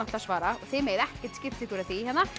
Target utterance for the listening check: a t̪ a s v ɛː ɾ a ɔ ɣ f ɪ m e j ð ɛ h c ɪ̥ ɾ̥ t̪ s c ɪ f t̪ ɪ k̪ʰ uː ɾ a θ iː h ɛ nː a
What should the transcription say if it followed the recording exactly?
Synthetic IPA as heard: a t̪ a s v aː ɾ a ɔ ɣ θ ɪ m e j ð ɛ h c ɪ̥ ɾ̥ t̪ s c ɪ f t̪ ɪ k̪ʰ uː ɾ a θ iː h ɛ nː a